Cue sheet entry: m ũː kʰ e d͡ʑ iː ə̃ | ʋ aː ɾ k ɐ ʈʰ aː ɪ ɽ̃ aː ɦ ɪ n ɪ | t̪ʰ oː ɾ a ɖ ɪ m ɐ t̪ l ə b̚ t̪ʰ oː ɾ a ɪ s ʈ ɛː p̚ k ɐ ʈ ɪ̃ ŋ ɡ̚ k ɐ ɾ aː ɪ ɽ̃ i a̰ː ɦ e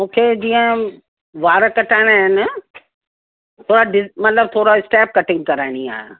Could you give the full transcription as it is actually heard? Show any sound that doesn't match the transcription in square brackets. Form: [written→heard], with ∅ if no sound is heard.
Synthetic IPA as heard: m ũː kʰ e d͡ʑ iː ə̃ | ʋ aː ɾ k ɐ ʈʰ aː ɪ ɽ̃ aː ɦ ɪ n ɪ | t̪ʰ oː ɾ a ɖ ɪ m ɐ t̪ l ə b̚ t̪ʰ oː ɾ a ɪ s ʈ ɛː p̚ k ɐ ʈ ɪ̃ ŋ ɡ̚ k ɐ ɾ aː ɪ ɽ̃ i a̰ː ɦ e